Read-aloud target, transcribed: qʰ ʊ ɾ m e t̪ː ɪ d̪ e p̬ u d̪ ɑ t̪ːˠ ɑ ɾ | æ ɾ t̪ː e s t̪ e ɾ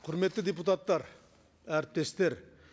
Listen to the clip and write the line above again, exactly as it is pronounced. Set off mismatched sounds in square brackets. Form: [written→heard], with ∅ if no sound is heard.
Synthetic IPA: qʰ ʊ ɾ m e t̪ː ɪ d̪ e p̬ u [d̪→t̪] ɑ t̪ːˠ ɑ ɾ | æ ɾ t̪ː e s t̪ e ɾ